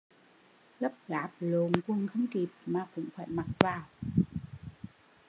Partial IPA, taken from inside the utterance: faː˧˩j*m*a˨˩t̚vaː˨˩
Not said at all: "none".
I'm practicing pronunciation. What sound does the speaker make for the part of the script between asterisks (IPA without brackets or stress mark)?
m